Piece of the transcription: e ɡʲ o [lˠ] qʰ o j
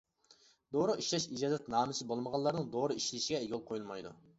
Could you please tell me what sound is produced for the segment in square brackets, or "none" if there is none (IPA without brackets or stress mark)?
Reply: lˠ